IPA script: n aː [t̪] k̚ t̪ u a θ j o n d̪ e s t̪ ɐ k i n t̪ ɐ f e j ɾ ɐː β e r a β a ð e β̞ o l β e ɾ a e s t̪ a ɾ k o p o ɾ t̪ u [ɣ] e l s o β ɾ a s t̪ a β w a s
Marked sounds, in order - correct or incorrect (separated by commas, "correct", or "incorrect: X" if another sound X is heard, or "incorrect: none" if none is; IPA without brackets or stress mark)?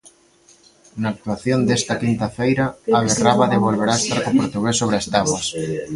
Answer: incorrect: none, correct